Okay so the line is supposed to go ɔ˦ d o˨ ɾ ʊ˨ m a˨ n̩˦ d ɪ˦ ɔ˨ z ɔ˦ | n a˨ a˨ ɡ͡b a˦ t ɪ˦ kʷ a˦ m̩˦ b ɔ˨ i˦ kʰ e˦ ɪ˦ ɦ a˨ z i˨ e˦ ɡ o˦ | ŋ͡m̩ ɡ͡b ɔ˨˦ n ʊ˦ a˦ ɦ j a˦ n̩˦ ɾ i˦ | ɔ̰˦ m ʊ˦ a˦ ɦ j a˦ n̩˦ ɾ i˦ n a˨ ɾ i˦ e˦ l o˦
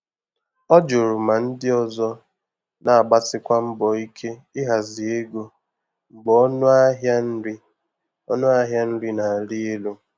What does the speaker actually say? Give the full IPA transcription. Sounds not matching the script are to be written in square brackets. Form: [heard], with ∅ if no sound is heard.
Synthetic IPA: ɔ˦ [d͡ʒ] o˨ ɾ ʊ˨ m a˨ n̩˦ d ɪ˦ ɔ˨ z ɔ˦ | n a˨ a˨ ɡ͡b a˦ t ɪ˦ kʷ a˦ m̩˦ b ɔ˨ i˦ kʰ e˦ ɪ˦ ɦ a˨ z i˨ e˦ ɡ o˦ | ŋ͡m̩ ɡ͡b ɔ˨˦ n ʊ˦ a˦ ɦ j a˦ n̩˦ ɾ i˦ | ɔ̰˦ [n] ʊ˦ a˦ ɦ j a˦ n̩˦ ɾ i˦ n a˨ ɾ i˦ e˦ l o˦

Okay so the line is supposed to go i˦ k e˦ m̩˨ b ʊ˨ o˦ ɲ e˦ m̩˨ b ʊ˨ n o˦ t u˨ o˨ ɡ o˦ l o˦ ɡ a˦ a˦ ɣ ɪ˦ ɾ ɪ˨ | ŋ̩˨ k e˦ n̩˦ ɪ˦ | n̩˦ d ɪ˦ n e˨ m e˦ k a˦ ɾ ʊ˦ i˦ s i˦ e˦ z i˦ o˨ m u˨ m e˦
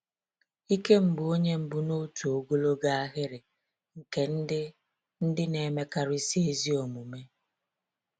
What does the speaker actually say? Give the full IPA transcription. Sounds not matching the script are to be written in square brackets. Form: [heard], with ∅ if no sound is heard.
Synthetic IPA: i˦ k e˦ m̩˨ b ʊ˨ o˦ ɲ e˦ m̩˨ b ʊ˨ n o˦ t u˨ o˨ ɡ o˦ l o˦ ɡ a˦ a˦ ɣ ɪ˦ ɾ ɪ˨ | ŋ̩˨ k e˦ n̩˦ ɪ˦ | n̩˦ d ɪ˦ n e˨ m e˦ k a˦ ɾ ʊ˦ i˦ s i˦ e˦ z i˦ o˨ m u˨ m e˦

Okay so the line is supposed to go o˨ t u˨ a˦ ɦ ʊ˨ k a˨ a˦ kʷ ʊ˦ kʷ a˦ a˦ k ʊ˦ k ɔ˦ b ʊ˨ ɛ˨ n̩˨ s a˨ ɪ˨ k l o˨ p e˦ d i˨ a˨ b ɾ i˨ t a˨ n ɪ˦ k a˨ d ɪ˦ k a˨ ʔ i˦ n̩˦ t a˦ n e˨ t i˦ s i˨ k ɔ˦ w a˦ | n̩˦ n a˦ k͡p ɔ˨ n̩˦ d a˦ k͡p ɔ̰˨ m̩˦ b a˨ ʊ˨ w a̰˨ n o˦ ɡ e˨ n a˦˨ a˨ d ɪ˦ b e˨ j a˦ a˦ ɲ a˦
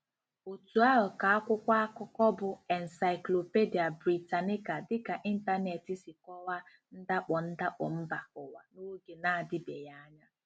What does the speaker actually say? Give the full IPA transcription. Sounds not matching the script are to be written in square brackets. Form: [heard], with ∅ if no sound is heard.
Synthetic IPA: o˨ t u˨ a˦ ɦ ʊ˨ k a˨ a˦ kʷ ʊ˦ kʷ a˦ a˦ k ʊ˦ k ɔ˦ b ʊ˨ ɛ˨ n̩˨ s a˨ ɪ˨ k l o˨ p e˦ d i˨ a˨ b ɾ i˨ t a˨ n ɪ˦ k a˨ d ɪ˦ k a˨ ʔ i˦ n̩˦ t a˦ n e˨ t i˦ s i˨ k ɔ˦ w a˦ | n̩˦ [d] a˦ k͡p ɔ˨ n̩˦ d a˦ k͡p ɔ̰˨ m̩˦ b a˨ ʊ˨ w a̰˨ n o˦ ɡ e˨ n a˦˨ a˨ d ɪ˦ b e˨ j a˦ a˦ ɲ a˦

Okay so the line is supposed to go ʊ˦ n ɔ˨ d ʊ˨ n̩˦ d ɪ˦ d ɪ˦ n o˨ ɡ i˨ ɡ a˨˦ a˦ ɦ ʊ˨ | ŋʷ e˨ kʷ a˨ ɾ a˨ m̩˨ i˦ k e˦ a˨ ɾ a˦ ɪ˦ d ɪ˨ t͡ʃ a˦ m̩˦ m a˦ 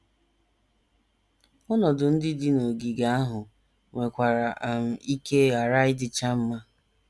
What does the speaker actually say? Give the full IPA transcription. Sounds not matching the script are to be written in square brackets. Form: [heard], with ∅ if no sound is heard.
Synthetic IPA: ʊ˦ n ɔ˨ d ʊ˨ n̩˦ d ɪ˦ d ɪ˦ n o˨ ɡ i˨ ɡ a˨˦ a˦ ɦ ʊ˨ | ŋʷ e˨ kʷ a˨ ɾ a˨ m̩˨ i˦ k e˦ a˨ ɾ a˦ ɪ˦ d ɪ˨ t͡ʃ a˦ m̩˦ m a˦

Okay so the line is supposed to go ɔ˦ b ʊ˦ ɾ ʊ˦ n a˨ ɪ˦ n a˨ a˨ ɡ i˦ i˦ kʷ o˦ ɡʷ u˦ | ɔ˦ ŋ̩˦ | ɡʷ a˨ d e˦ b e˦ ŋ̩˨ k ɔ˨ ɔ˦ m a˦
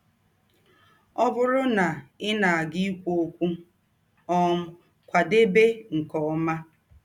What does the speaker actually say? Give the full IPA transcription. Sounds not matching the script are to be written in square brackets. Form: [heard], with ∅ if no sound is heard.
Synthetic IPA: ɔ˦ b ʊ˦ ɾ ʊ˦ n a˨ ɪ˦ n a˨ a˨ ɡ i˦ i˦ kʷ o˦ [kʷ] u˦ | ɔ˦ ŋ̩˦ | [kʷ] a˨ d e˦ b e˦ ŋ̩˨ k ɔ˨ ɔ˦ m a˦

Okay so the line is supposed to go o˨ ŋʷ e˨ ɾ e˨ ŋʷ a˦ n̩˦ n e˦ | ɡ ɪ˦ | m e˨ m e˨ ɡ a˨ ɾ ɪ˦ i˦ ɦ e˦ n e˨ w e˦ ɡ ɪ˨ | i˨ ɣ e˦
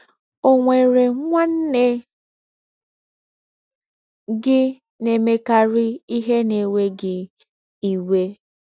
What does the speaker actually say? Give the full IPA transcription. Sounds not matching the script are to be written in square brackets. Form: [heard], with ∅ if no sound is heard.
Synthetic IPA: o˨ ŋʷ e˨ ɾ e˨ ŋʷ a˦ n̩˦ n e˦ | ɡ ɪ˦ | [n] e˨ m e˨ [k] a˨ ɾ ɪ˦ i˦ ɦ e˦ n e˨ w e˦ ɡ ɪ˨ | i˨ [w] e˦

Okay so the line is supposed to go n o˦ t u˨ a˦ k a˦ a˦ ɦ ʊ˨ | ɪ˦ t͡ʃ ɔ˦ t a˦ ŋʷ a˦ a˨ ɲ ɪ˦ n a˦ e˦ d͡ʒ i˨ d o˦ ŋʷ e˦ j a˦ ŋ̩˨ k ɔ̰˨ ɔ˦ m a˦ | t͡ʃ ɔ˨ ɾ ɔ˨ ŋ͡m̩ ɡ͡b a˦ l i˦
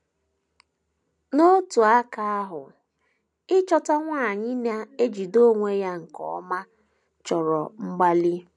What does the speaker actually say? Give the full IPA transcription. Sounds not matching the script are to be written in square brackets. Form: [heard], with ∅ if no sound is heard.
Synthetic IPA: n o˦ t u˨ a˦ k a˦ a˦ ɦ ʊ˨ | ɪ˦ t͡ʃ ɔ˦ t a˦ ŋʷ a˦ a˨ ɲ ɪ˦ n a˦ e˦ d͡ʒ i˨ d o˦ ŋʷ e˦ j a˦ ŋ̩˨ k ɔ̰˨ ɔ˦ m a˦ | t͡ʃ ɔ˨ ɾ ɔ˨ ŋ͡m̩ ɡ͡b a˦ l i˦

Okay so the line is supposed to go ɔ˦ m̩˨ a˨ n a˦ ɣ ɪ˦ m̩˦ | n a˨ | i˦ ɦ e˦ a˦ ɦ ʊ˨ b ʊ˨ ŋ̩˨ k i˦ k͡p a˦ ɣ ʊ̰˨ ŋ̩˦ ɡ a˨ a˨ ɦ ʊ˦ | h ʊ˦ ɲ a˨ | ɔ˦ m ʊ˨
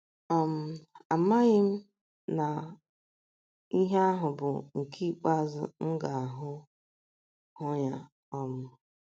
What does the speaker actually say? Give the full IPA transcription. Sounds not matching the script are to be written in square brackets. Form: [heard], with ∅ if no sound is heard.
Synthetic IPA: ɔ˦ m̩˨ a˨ [m] a˦ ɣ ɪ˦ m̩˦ | n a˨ | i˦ ɦ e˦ a˦ ɦ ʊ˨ b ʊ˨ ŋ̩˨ k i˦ k͡p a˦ [z] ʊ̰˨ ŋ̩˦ ɡ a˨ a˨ ɦ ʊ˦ | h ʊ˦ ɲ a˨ | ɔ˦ m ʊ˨

